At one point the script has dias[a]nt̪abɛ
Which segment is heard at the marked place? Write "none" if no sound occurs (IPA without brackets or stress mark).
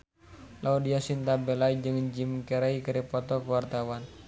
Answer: i